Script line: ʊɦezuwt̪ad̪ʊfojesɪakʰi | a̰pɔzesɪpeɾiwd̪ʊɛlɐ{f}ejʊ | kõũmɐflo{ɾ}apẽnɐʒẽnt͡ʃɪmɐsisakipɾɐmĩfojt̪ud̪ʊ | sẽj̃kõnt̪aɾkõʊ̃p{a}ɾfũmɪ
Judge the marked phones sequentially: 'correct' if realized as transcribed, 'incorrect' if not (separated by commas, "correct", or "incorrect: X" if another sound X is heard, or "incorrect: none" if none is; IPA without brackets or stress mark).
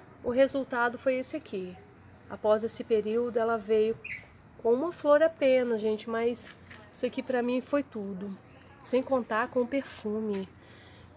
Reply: incorrect: v, correct, incorrect: e